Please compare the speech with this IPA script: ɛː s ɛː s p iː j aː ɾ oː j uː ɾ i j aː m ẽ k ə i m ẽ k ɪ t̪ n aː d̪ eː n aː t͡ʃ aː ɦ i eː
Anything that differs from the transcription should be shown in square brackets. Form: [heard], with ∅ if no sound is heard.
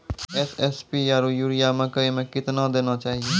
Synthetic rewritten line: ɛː s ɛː s p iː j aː ɾ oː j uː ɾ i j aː m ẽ k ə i m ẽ k ɪ t̪ n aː d̪ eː n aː t͡ʃ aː ɦ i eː

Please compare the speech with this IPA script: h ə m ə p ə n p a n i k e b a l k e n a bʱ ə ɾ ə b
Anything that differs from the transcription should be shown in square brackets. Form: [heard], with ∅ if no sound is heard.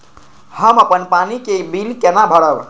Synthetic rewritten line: h ə m ə p ə n p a n i k e b [i] l k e n a bʱ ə [ɽ] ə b

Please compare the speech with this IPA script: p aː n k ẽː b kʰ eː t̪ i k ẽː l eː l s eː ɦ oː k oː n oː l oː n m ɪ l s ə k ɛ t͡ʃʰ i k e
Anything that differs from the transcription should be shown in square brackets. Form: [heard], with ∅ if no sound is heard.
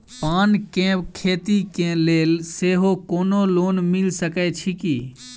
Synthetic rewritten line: p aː n k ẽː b kʰ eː t̪ i k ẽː l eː l s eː ɦ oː k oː n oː l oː n m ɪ l s ə k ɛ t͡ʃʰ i k [i]

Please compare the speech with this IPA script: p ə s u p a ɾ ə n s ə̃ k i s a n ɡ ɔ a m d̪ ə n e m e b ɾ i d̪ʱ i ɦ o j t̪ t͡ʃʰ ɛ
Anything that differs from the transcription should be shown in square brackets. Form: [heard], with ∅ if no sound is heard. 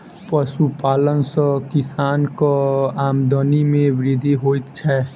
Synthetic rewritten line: p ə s u p a [l] ə n s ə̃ k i s a n [k] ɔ a m d̪ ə n [i] m e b ɾ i d̪ʱ i ɦ o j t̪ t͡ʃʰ ɛ

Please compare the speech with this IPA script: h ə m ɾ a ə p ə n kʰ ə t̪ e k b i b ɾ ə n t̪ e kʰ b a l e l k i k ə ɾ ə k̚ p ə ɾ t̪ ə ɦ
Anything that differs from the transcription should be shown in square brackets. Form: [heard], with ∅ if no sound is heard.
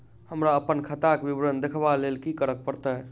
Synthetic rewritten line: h ə m ɾ a ə p ə n kʰ ə t̪ [a] k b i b ɾ ə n [d̪] e kʰ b a l e l k i k ə ɾ ə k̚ p ə ɾ t̪ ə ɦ

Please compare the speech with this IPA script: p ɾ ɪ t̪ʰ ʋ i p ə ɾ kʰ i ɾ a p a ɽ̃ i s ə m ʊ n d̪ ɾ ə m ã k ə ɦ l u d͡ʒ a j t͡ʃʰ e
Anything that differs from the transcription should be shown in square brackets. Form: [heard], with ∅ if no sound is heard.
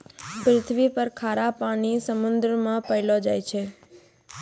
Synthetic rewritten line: p ɾ ɪ t̪ʰ ʋ i p ə ɾ kʰ [a] ɾ a p a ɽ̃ i s ə m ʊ n d̪ ɾ ə m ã [p] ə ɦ l [o] d͡ʒ a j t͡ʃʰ e

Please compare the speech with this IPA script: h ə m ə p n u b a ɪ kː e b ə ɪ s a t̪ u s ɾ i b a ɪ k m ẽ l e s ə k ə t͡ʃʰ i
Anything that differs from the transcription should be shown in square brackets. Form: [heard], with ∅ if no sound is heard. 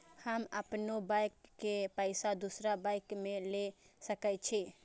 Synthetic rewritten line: h ə m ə p n [o] b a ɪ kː e [p] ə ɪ s a [d̪] u s ɾ [a] b a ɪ k m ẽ l e s ə k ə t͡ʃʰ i

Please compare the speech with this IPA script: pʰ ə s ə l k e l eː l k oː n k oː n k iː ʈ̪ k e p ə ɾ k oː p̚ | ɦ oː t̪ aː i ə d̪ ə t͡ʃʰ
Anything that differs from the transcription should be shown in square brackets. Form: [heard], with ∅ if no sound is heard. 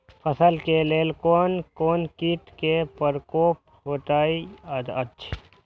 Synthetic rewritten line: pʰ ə s ə l k e l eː l k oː n k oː n k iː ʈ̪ k e p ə ɾ k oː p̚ | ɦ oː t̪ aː i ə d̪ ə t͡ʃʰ

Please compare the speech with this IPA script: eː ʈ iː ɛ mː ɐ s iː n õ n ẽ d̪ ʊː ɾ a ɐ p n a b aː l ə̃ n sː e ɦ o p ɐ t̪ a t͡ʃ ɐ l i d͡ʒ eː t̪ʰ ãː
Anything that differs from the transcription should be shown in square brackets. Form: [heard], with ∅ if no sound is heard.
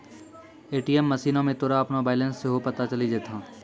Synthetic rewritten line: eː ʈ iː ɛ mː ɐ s iː n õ [m] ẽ [t̪] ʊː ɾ a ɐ p n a b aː l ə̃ n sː e ɦ o p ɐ t̪ a t͡ʃ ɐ l i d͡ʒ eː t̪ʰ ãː

